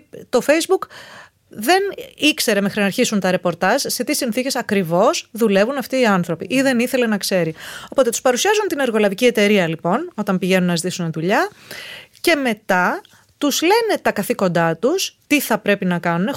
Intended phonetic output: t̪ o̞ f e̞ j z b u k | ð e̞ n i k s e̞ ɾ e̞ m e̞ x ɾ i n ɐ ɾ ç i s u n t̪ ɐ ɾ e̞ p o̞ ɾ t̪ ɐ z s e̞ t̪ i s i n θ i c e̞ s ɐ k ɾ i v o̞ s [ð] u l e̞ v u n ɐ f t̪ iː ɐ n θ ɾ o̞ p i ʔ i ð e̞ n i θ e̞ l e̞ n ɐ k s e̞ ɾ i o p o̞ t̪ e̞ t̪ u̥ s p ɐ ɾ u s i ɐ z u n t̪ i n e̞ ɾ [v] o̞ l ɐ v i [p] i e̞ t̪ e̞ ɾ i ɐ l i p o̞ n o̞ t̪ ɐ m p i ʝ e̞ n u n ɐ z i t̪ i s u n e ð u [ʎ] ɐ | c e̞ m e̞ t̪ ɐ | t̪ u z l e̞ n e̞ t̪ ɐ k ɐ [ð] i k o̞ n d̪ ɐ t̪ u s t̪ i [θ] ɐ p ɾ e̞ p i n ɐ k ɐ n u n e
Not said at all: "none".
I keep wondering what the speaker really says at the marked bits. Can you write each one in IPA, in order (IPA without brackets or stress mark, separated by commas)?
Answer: ð, ɣ, c, ʎ, θ, θ